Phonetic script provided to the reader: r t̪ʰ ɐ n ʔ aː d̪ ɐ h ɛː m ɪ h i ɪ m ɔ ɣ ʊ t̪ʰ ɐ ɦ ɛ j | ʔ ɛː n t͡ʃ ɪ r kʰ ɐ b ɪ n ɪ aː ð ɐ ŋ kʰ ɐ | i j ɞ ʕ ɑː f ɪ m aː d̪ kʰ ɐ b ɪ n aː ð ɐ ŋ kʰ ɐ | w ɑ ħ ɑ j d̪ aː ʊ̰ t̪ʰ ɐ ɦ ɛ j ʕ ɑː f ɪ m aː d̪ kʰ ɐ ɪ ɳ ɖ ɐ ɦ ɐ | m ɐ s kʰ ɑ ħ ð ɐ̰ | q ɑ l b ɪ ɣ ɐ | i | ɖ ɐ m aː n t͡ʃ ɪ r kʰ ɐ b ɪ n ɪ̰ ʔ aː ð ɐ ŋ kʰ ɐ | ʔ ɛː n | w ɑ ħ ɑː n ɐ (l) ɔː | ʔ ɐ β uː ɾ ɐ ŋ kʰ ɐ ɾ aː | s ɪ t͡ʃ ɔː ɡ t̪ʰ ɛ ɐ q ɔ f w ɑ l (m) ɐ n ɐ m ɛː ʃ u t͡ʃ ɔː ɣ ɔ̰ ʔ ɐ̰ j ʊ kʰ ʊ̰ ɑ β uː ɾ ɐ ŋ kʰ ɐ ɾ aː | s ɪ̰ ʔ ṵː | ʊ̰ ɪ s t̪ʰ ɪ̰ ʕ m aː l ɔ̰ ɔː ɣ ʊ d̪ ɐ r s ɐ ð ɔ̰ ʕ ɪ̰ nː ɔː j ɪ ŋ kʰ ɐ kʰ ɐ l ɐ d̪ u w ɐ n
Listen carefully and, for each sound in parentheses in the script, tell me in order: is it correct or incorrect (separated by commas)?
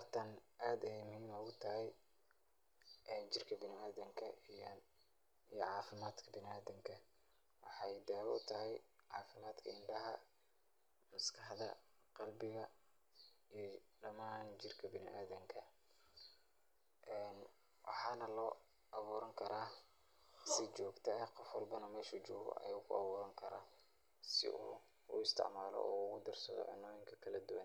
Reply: correct, incorrect